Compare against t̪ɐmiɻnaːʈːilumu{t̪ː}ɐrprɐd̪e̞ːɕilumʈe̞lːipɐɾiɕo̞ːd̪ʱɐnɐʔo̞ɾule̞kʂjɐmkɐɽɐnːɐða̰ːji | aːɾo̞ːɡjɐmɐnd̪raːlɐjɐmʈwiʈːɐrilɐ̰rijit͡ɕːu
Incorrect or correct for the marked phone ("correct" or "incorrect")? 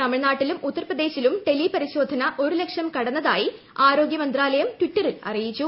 correct